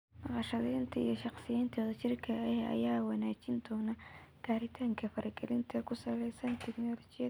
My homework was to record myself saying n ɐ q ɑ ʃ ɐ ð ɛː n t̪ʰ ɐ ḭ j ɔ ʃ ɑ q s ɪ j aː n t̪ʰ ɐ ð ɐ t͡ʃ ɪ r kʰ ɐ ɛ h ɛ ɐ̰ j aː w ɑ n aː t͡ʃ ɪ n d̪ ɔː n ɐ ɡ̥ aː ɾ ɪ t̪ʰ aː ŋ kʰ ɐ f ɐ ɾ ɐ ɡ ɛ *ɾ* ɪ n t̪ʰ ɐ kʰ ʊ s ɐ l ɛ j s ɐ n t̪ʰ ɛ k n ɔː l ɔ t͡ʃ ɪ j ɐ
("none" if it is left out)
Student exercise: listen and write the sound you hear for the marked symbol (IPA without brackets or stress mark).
l